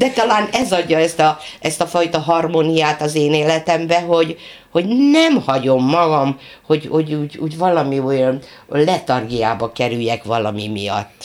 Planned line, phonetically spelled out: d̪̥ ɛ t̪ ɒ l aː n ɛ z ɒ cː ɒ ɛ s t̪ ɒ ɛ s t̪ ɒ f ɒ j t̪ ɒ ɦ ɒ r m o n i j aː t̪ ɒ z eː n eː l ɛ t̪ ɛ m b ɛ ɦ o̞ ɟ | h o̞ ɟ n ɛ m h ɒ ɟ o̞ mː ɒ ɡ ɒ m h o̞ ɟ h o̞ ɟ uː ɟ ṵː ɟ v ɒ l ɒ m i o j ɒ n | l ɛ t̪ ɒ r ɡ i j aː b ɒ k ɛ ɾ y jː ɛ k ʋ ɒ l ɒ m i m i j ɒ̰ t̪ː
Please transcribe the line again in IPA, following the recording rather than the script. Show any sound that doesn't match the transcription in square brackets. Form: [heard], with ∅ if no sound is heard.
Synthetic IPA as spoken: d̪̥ ɛ t̪ ɒ l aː n ɛ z ɒ [ɟː] ɒ ɛ s t̪ ɒ ɛ s t̪ ɒ f ɒ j t̪ ɒ ɦ ɒ r m o n i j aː t̪ ɒ z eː n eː l ɛ t̪ ɛ m b ɛ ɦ o̞ ɟ | h o̞ ɟ n ɛ m h ɒ ɟ o̞ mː ɒ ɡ ɒ m h o̞ ɟ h o̞ ɟ uː ɟ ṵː ɟ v ɒ l ɒ m i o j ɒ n | l ɛ t̪ ɒ r ɡ i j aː b ɒ k ɛ ɾ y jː ɛ k ʋ ɒ l ɒ m i m i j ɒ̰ t̪ː